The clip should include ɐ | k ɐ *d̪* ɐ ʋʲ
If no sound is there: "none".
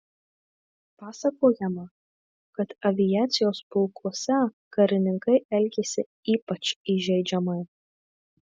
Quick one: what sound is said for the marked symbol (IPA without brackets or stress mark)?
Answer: t̪